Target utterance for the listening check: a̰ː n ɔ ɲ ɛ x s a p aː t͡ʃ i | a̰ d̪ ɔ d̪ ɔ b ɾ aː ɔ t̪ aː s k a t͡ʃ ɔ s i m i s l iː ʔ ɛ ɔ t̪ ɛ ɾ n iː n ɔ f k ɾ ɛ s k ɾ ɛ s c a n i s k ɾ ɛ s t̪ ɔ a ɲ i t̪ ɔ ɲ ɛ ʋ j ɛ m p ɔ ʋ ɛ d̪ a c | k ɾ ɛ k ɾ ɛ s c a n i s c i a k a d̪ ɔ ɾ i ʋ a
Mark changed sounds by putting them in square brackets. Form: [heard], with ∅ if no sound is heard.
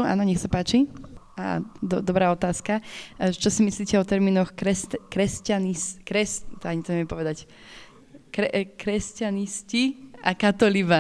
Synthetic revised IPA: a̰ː n ɔ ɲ ɛ x s a p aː t͡ʃ i | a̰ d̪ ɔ d̪ ɔ b ɾ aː ɔ t̪ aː s k a t͡ʃ ɔ s i m i s l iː [c] ɛ ɔ t̪ ɛ ɾ [m] iː n ɔ [x] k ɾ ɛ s k ɾ ɛ s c a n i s k ɾ ɛ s t̪ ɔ a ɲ i t̪ ɔ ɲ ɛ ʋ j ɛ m p ɔ ʋ ɛ d̪ a c | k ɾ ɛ k ɾ ɛ s c a n i s c i a k a [t̪] ɔ [l] i ʋ a